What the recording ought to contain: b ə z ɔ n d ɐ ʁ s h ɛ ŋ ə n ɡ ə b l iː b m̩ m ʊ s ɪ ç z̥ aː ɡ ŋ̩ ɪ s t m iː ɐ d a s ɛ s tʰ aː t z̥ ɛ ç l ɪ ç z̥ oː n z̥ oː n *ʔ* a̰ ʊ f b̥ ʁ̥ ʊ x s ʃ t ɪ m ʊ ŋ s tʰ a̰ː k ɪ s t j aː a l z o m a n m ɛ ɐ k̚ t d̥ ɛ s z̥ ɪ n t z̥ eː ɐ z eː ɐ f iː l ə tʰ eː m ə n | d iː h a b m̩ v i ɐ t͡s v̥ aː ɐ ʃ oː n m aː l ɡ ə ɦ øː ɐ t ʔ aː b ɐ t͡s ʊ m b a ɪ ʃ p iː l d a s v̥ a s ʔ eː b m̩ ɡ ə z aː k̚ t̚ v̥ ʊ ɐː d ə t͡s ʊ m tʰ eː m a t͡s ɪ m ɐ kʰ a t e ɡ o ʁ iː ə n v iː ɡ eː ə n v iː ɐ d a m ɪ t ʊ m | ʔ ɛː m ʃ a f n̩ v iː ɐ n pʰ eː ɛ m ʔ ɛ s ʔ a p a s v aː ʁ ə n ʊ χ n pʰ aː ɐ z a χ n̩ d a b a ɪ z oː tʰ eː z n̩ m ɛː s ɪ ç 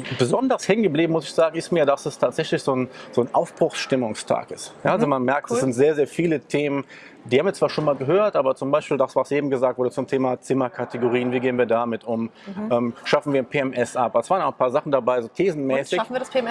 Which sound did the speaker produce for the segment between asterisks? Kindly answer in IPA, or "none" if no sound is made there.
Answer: ʔ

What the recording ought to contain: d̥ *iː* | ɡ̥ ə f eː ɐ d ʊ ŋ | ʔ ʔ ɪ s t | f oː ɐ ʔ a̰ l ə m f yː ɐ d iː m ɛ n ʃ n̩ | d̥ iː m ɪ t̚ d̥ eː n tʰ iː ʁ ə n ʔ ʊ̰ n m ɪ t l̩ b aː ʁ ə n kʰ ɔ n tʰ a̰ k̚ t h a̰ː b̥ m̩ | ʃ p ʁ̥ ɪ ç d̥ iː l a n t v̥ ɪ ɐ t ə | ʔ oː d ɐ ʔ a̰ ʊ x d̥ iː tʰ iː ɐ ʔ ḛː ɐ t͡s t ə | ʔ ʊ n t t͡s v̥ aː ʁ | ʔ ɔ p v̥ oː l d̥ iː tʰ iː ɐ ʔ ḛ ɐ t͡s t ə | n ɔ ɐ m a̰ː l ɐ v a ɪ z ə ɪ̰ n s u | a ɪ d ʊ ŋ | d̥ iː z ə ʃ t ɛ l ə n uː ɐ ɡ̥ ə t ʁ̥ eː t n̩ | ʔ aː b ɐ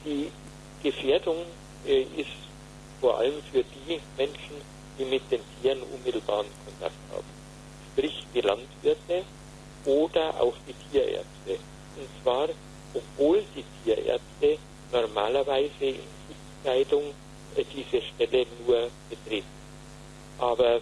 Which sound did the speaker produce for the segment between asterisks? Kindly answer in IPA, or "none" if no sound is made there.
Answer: iː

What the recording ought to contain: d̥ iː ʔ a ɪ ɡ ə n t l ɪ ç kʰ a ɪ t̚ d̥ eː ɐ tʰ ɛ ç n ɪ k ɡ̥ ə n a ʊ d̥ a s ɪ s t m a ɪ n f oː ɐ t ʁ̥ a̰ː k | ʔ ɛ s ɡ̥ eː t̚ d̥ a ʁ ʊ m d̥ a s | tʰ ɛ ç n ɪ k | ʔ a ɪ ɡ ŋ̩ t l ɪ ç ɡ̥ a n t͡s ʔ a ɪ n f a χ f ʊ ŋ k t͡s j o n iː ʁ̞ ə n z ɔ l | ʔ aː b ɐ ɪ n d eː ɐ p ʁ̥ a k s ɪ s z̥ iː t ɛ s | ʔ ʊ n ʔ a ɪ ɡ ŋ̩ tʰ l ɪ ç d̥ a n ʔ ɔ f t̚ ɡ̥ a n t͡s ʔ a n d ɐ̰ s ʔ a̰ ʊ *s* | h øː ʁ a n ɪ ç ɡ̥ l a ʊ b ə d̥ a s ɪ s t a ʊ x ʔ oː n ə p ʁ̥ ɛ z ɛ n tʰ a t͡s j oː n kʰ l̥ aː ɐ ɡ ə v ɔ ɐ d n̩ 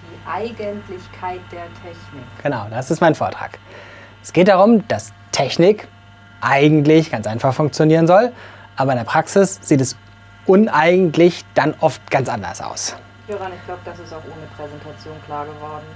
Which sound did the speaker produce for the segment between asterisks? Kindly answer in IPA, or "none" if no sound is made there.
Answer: s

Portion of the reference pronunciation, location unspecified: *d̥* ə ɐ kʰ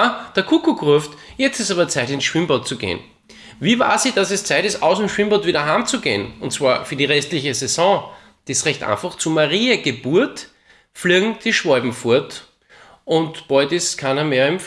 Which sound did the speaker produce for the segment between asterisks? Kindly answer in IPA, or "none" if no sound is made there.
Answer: d̥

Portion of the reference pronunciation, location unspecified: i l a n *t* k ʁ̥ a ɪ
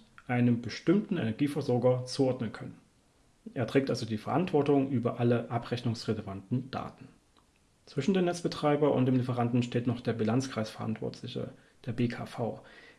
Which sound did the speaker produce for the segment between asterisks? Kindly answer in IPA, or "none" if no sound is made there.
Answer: t͡s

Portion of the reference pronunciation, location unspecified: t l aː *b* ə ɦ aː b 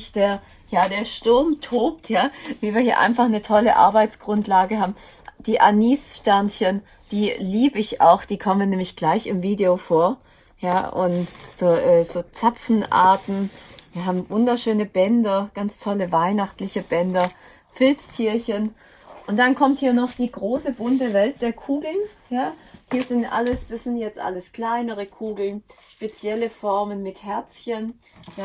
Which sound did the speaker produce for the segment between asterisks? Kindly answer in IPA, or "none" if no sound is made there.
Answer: ɡ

